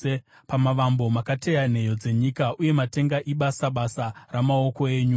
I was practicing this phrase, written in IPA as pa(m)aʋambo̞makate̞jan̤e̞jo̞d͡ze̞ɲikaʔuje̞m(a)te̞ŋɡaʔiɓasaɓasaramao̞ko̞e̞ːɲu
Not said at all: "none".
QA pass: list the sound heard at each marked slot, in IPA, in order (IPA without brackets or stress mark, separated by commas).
m, a